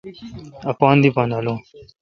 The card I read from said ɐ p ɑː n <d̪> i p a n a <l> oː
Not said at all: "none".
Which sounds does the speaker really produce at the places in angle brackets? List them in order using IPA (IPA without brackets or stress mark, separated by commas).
d̪, l